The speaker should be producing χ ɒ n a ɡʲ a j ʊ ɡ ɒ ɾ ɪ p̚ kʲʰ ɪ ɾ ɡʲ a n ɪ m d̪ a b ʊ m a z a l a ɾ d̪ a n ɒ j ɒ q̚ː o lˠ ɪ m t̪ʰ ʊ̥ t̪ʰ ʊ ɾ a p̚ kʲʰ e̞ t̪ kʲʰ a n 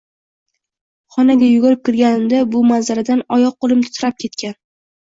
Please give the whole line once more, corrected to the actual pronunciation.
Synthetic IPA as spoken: χ ɒ n a ɡʲ a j ʊ ɡ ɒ ɾ ɪ p̚ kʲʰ ɪ ɾ ɡʲ a n ɪ m d̪ a b ʊ m a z a ɾ a d̪ a n ɒ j ɒ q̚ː o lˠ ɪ m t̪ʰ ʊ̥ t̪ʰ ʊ ɾ a p̚ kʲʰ e̞ t̪ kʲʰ a n